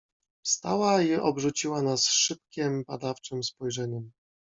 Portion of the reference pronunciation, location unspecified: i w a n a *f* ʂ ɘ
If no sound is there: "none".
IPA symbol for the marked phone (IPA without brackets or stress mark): s